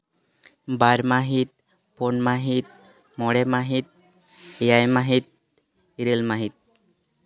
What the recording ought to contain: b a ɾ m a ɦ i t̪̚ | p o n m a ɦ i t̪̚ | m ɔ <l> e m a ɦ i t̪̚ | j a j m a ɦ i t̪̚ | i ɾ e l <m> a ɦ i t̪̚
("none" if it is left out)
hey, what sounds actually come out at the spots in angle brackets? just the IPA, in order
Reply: ɽ, m

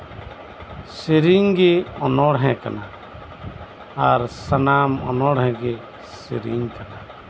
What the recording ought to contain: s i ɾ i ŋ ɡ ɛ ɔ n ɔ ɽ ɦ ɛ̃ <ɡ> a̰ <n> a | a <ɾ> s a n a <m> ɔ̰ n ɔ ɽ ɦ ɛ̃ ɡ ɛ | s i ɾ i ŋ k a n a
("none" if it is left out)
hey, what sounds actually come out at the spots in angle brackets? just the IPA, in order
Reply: k, n, ɾ, m

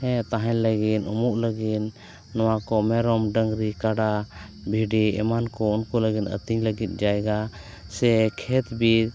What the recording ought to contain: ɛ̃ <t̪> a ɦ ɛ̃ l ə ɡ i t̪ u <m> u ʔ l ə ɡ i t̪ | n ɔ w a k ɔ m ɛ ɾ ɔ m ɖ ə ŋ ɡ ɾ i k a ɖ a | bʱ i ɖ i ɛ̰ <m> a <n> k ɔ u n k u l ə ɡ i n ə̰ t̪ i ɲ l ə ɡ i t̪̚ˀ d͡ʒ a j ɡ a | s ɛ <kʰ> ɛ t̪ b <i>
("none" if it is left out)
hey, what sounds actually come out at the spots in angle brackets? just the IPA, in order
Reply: t̪, m, m, n, kʰ, i

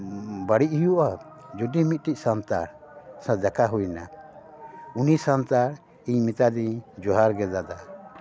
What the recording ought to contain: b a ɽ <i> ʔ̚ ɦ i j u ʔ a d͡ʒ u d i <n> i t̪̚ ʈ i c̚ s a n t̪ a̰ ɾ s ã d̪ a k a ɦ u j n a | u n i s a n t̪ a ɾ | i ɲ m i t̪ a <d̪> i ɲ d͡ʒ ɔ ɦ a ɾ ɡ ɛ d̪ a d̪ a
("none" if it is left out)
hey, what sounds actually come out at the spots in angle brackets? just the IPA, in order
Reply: i, m, d̪

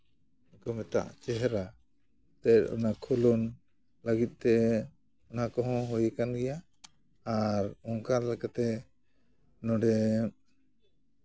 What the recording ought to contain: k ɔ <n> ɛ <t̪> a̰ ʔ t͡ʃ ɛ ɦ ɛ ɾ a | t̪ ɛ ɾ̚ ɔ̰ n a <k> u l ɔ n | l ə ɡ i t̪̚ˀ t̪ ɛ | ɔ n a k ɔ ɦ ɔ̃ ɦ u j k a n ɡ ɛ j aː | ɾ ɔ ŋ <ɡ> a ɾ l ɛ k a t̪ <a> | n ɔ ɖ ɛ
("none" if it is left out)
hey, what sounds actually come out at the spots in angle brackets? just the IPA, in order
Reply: m, t̪, kʰ, k, ɛ

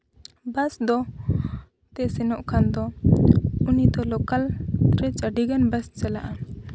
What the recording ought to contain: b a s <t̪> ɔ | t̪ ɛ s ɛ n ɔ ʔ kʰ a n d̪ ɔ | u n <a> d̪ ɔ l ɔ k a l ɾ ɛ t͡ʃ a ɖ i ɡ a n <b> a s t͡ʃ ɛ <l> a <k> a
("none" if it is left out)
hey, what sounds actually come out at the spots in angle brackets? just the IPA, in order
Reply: d̪, i, b, l, ʔ

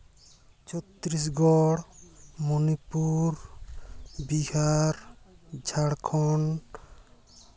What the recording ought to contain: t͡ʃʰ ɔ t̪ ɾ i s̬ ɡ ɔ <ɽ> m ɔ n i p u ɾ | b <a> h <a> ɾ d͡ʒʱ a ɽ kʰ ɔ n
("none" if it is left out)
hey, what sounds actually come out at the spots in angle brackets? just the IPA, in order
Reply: ɽ, i, a

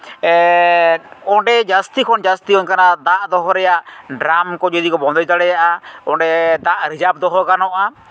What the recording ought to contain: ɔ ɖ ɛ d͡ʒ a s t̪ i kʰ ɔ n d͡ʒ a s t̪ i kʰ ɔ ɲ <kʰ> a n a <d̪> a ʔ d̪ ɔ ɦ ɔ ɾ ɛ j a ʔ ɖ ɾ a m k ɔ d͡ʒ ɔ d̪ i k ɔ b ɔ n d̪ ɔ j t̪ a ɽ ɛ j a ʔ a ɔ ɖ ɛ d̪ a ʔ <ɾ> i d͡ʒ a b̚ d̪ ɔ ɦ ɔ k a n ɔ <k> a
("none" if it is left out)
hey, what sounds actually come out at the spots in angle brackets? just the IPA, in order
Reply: k, d̪, ɾ, ʔ

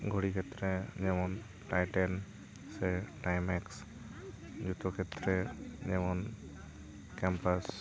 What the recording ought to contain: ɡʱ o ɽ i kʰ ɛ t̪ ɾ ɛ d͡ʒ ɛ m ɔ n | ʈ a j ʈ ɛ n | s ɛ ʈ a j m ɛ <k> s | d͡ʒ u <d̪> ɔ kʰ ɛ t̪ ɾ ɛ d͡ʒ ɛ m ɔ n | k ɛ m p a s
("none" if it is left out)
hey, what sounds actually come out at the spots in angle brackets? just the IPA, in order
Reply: k, t̪

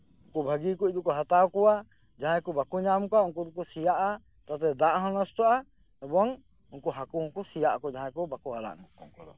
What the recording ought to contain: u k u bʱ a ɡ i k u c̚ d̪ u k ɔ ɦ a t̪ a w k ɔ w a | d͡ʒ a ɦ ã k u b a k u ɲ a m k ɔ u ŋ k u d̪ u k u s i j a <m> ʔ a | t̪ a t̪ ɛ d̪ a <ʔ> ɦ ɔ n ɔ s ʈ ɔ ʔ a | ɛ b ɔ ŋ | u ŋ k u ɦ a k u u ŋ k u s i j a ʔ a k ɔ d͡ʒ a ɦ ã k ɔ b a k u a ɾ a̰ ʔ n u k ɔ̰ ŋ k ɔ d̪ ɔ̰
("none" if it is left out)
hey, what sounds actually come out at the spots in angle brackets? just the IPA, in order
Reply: none, ʔ

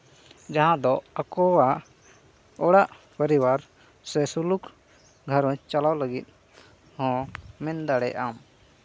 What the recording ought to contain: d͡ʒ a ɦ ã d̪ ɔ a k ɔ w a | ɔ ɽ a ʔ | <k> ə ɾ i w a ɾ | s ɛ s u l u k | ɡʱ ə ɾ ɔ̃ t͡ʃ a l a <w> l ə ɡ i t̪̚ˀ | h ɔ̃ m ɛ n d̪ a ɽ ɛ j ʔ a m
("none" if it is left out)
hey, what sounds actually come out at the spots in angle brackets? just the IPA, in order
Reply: p, w

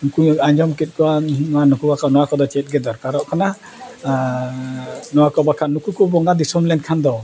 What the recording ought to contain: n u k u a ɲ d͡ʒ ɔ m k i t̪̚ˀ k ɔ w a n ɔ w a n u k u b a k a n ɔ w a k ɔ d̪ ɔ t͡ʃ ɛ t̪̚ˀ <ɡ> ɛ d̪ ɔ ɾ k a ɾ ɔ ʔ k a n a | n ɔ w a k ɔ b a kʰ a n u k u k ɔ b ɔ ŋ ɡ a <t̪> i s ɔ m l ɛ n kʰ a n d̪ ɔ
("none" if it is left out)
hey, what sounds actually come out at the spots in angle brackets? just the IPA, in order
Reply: ɡ, d̪

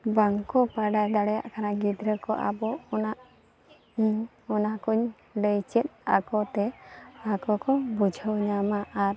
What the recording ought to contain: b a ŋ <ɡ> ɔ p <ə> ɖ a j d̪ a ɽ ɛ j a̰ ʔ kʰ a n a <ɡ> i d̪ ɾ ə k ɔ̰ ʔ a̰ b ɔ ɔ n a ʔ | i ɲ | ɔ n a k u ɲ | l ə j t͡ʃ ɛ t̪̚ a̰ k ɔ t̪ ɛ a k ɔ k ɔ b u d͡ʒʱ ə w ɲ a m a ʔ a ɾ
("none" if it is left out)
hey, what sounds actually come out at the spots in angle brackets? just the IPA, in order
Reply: k, a, ɡ

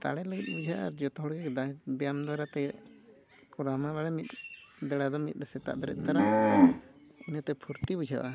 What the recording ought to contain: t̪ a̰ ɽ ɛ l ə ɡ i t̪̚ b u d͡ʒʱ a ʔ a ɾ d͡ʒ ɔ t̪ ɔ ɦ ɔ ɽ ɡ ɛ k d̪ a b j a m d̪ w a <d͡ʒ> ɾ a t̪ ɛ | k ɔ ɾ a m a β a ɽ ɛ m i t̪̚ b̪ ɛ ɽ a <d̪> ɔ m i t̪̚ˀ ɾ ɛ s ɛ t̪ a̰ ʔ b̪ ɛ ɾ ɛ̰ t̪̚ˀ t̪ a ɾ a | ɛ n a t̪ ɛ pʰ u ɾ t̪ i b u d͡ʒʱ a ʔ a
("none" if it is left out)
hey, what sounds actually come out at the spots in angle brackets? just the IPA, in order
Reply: none, d̪

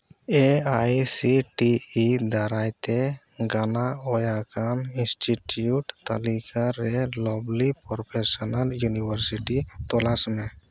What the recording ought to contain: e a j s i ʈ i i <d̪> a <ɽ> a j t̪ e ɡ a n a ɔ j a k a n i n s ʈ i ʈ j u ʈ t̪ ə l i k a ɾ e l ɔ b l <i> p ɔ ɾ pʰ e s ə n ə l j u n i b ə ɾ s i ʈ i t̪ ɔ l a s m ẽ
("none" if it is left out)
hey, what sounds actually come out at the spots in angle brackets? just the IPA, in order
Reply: d̪, ɾ, i

